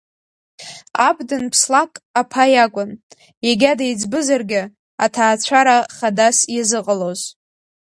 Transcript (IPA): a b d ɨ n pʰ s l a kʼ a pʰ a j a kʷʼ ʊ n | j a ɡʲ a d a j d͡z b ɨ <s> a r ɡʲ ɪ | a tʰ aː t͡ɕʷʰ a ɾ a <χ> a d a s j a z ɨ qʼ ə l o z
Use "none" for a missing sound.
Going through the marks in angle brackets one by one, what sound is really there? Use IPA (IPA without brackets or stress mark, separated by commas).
z, χ